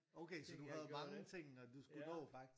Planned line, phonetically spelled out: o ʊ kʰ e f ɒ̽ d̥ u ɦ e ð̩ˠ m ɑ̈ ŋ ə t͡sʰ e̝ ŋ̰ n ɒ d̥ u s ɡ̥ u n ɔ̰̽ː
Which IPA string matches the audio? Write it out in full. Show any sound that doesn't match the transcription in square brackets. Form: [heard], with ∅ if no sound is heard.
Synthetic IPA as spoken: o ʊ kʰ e [s] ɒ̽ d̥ u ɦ [æ] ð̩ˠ m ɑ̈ ŋ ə t͡sʰ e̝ ŋ̰ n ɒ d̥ u s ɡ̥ u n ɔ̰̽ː